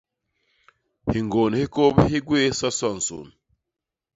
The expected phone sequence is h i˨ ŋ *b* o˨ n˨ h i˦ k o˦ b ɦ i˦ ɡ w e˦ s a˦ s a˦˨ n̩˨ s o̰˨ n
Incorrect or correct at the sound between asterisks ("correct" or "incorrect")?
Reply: incorrect